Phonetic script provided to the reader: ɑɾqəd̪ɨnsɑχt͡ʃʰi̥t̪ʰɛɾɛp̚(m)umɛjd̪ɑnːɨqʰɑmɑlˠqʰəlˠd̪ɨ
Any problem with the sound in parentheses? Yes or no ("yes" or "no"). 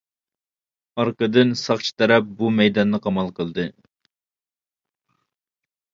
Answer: yes